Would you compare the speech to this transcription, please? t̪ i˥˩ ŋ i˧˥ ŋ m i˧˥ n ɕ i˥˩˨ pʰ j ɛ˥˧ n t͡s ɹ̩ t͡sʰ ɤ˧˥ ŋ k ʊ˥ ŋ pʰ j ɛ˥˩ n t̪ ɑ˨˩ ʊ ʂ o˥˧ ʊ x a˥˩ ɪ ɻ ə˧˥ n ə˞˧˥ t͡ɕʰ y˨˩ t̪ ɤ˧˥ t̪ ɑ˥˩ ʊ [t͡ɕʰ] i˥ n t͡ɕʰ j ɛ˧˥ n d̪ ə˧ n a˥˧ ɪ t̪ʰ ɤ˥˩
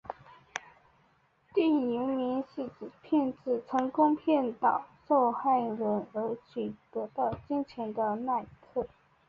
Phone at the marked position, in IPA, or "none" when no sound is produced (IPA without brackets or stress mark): t͡ɕ